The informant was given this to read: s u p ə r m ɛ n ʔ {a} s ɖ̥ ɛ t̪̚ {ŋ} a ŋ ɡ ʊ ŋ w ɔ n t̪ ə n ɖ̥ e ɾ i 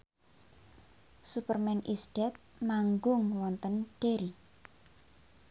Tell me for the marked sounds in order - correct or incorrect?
incorrect, incorrect

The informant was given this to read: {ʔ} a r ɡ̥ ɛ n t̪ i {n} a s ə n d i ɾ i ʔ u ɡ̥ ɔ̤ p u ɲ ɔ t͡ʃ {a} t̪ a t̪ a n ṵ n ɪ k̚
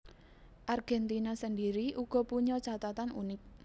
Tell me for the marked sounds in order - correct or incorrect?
correct, correct, correct

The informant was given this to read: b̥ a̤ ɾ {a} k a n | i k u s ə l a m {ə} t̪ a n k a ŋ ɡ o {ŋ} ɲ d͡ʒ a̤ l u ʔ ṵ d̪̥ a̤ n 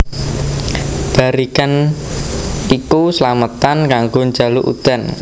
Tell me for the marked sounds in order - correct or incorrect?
incorrect, correct, incorrect

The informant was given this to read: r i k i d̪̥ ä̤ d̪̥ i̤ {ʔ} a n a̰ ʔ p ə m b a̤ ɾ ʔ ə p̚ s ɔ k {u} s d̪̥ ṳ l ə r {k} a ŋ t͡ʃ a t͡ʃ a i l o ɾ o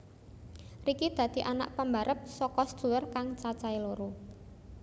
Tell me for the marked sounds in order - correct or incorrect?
correct, incorrect, correct

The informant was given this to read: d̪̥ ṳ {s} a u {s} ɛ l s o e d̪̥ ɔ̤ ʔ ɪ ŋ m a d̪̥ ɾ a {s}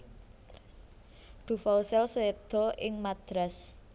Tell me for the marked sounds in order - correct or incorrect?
incorrect, correct, correct

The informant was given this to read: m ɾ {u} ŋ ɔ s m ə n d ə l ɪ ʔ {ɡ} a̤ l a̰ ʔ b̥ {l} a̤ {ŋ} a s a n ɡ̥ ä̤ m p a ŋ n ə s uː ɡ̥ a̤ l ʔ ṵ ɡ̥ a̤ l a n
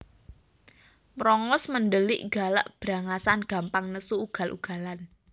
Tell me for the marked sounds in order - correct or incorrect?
incorrect, correct, incorrect, correct

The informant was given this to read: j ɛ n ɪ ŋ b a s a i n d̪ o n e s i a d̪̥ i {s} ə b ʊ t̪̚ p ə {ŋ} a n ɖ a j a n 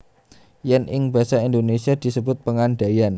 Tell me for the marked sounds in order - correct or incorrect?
correct, correct

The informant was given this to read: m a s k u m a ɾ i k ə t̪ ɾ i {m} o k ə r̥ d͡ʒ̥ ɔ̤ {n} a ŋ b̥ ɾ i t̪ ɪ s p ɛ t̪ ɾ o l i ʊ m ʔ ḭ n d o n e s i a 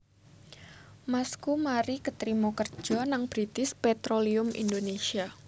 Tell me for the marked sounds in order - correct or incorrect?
correct, correct

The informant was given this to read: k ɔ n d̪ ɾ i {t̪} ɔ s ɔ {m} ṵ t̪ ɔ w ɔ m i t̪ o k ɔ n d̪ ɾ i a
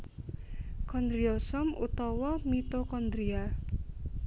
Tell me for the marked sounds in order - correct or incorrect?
incorrect, correct

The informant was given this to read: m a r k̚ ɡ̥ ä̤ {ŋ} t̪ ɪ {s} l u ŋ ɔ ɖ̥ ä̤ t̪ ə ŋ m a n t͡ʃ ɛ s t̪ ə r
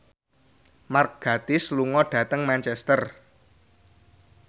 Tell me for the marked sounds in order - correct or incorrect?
incorrect, correct

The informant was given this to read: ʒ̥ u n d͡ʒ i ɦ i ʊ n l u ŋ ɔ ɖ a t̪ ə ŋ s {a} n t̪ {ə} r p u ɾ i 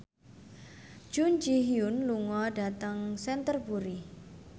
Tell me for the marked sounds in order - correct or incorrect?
incorrect, correct

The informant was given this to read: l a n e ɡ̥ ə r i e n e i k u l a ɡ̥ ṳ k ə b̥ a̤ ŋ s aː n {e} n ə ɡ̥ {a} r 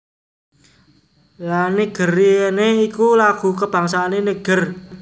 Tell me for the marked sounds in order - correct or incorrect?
correct, incorrect

